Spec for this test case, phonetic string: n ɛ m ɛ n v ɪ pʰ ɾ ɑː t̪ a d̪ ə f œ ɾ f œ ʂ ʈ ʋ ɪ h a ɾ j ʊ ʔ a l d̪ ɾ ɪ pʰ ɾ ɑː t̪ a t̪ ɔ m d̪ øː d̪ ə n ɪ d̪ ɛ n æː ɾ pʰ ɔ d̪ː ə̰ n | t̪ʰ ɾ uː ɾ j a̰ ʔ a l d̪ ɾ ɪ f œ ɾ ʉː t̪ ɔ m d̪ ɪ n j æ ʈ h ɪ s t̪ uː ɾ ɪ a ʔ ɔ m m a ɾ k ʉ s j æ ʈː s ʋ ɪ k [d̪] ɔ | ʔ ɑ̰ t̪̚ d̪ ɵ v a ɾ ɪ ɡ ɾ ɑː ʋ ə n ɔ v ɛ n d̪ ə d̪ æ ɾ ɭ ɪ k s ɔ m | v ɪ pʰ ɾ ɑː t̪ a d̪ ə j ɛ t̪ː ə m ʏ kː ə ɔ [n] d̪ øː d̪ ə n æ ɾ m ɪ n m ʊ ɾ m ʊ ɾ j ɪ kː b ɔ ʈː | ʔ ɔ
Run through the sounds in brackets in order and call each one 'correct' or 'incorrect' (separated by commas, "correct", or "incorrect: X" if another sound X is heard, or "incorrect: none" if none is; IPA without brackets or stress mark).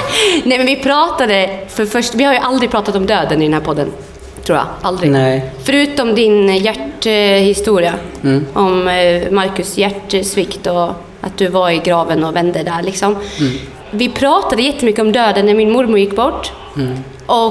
incorrect: t̪, incorrect: m